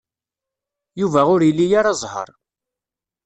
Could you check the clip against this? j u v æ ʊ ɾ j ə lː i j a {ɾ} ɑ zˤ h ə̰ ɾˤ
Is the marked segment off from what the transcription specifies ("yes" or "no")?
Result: no